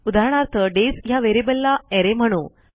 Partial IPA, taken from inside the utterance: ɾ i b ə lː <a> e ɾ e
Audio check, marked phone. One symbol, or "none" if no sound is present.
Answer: a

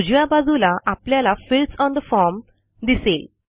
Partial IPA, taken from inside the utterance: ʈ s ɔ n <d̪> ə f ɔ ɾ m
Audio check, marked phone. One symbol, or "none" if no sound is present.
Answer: d̪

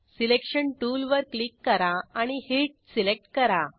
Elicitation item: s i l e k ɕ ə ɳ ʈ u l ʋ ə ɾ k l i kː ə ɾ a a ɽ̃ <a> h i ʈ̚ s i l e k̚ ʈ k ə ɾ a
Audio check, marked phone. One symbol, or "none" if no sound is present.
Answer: i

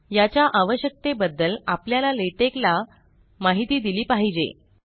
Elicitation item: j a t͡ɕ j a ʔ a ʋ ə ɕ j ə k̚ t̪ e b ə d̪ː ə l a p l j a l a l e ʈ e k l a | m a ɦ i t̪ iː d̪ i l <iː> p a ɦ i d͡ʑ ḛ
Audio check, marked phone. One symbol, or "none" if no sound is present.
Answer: iː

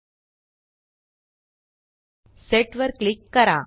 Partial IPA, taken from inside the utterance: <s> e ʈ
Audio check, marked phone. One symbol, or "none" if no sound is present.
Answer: s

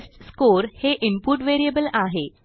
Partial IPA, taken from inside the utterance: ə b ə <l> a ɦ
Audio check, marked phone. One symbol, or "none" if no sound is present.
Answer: l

